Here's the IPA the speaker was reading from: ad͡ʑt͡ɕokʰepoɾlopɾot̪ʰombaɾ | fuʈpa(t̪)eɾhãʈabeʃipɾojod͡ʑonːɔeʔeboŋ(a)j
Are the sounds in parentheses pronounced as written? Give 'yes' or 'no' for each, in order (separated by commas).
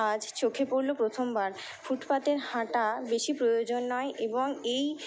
yes, no